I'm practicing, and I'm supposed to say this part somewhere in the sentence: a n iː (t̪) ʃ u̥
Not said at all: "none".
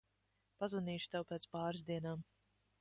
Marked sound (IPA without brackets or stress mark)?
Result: none